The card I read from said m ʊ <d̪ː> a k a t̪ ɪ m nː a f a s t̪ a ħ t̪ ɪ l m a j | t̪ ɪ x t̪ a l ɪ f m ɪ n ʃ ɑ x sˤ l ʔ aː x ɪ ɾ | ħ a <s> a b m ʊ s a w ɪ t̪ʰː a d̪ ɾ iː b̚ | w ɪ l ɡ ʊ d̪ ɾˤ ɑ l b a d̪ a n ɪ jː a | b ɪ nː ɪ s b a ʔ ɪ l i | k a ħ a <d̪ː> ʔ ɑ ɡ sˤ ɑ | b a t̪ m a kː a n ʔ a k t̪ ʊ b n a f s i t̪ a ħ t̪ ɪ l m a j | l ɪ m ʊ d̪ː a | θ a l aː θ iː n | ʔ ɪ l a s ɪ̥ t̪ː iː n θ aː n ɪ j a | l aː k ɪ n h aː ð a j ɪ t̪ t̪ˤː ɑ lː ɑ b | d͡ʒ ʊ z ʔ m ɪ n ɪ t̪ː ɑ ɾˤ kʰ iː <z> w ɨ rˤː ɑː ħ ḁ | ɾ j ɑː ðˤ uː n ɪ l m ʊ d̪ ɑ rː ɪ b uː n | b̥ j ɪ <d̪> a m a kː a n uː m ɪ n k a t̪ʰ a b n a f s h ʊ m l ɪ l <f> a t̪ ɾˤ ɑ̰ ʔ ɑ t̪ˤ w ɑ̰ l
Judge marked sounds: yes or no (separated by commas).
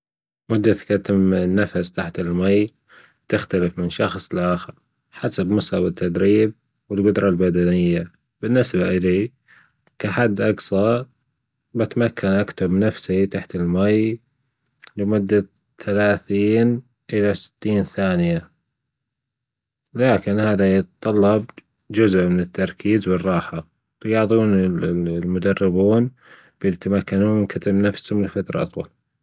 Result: yes, yes, yes, yes, no, yes